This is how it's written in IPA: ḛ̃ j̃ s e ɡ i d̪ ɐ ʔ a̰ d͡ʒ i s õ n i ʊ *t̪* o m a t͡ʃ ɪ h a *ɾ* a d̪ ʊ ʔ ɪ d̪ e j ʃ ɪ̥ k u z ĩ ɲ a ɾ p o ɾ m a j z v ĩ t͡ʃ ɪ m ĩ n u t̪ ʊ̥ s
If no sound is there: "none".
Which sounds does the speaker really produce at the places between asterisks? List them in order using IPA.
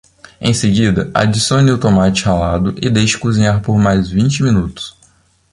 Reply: t̪, l

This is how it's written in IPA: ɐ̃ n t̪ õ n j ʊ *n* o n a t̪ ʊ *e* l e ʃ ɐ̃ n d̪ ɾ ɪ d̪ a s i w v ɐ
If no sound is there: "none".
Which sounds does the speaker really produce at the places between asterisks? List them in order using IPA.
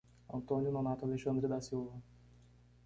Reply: n, a

